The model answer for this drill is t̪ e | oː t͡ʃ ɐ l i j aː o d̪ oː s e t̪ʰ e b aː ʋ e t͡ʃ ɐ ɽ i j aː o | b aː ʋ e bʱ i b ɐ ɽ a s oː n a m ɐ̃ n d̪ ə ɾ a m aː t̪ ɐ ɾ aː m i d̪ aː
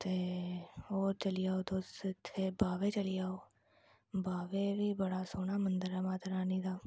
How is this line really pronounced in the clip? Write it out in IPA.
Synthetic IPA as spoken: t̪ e | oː t͡ʃ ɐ l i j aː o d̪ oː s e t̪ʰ e b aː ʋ e t͡ʃ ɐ l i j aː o | b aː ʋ e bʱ i b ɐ ɽ a s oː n a m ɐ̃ n d̪ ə ɾ a m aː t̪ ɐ ɾ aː n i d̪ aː